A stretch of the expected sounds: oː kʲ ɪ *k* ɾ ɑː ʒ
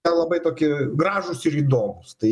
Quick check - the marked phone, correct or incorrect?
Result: incorrect